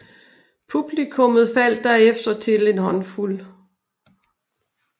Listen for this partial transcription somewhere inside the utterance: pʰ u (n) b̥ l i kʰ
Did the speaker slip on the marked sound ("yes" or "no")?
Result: yes